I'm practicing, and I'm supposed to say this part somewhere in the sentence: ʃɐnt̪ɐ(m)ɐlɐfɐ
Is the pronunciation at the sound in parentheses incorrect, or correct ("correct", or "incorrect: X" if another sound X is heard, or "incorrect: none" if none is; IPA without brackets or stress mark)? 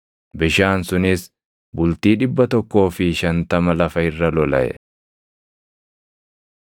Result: correct